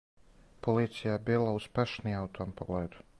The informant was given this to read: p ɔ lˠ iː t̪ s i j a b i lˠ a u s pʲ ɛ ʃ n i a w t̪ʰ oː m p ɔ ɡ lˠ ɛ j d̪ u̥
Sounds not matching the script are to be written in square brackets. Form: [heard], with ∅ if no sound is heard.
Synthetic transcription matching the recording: p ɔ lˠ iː t̪ s i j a b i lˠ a u s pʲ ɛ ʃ n i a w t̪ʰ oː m p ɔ ɡ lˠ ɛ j d̪ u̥

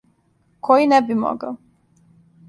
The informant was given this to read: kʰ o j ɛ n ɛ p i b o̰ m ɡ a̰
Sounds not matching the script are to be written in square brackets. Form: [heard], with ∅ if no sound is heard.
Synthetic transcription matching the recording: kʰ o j [i] n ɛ [b] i [m] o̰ [∅] ɡ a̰

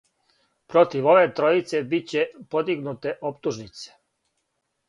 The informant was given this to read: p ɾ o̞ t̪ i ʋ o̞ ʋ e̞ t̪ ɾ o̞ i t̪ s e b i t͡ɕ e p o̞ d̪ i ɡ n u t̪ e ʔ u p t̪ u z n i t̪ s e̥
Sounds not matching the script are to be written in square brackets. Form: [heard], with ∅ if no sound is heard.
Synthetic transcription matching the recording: p ɾ o̞ t̪ i ʋ o̞ ʋ e̞ t̪ ɾ o̞ i t̪ s e b i t͡ɕ e p o̞ d̪ i ɡ n u t̪ e ʔ [o] p t̪ u [ʒ] n i t̪ s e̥

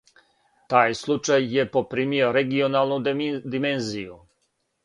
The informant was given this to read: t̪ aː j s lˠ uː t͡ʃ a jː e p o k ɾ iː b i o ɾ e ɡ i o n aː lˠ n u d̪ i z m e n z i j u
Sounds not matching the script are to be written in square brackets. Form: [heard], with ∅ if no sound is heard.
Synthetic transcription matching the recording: t̪ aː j s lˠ [u] t͡ʃ a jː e p o [p] ɾ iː [m] i o ɾ e ɡ i o n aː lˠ n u d̪ i [∅] m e n z i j u

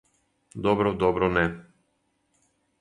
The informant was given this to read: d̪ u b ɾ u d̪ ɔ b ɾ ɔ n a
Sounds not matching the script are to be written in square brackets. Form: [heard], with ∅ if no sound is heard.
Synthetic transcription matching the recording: d̪ [ɔ] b ɾ [ɔ] d̪ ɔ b ɾ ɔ n [ɛ]

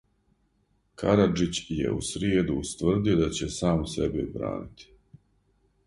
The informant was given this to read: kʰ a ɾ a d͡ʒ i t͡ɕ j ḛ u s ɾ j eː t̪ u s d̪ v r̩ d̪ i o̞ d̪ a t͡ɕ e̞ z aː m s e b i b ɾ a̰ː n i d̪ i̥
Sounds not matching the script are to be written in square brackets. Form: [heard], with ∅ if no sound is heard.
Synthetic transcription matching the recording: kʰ a ɾ a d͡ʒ i t͡ɕ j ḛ u s ɾ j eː [d̪] u s [t̪] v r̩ d̪ i o̞ d̪ a t͡ɕ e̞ [s] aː m s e b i b ɾ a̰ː n i [t̪] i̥

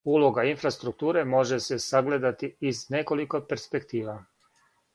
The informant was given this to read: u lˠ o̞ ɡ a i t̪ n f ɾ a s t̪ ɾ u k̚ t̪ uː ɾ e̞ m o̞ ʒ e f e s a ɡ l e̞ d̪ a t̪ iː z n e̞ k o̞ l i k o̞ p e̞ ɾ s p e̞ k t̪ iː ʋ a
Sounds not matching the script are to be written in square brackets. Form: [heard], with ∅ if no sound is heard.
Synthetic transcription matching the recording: u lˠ o̞ ɡ a i [∅] n f ɾ a s t̪ ɾ u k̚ t̪ uː ɾ e̞ m o̞ ʒ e [s] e s a ɡ l e̞ d̪ a t̪ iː z n e̞ k o̞ l i k o̞ p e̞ ɾ s p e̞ k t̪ iː ʋ a

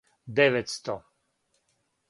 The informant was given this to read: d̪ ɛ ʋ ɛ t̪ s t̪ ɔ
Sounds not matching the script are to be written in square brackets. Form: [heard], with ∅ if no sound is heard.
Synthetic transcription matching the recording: d̪ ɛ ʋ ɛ t̪ s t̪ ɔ

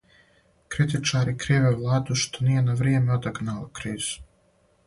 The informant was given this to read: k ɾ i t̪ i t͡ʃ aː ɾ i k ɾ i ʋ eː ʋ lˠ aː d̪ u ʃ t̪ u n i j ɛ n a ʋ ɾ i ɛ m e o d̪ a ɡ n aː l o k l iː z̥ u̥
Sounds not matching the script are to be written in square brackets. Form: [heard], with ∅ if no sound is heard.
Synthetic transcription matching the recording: k ɾ i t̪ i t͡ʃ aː ɾ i k ɾ i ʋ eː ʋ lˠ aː d̪ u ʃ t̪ [o] n i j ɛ n a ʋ ɾ i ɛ m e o d̪ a ɡ n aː l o k [ɾ] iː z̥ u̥

